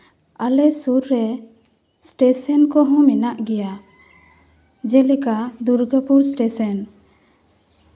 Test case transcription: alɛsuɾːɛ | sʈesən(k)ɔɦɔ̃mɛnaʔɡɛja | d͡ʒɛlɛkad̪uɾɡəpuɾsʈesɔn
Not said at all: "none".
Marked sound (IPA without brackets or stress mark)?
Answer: k